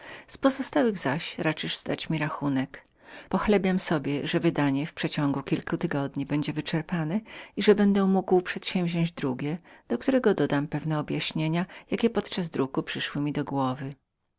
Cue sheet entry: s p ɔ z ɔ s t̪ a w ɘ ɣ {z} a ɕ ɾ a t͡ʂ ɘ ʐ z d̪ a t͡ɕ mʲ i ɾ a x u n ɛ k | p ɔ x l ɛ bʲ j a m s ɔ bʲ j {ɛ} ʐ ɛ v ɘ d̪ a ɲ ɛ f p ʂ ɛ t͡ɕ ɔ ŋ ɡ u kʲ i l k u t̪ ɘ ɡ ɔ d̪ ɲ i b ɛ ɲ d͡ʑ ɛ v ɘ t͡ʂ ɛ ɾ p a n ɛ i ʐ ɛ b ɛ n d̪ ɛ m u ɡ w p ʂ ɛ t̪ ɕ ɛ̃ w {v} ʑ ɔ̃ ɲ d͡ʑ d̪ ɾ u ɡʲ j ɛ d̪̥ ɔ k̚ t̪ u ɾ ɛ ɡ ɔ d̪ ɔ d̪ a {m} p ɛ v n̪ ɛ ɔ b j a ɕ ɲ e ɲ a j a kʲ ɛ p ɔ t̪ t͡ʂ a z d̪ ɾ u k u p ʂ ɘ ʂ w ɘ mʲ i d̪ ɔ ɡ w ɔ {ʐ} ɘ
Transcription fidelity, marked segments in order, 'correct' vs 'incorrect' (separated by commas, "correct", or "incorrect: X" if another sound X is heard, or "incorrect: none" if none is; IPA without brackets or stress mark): correct, correct, correct, correct, incorrect: v